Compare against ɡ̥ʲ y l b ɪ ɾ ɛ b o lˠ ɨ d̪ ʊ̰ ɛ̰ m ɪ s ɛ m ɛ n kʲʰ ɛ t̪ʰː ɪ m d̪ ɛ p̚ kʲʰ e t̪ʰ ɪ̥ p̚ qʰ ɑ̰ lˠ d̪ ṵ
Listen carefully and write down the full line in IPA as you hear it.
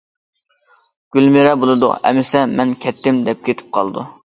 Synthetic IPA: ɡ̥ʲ y l m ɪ ɾ ɛ b o lˠ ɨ d̪ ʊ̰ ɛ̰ m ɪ s ɛ m ɛ n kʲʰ ɛ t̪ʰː ɪ m d̪ ɛ p̚ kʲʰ e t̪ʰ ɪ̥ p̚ qʰ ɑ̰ lˠ d̪ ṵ